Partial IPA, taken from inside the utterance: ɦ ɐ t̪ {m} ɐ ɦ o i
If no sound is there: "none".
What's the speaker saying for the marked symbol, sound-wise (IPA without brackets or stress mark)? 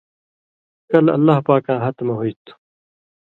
m